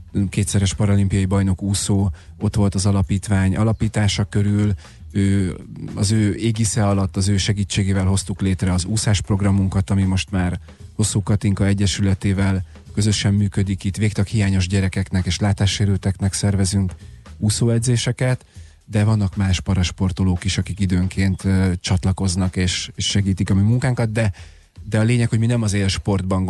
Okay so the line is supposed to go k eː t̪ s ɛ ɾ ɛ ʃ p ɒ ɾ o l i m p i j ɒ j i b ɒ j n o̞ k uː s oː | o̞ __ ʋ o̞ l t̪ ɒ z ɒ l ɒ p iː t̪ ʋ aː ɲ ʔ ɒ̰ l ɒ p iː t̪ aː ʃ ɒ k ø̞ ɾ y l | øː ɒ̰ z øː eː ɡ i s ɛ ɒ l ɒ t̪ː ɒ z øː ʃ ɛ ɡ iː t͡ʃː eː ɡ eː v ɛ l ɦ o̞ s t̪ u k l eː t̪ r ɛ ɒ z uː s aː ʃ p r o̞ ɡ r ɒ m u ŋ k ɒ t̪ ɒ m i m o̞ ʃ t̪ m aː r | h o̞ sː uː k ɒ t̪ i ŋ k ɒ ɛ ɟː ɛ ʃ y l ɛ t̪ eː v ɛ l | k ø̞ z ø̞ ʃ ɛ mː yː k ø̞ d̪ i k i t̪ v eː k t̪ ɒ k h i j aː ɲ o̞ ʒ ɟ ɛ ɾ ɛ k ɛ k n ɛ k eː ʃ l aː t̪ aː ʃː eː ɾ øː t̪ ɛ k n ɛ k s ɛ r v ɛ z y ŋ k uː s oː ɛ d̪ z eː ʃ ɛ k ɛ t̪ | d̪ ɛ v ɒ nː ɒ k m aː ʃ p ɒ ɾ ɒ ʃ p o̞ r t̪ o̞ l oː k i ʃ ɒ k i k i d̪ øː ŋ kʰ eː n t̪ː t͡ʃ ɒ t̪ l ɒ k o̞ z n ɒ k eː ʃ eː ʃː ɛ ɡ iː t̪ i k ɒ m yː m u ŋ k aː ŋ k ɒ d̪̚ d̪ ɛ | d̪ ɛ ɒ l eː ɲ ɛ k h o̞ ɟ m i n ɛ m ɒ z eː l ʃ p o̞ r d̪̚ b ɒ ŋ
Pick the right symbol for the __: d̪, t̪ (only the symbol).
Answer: t̪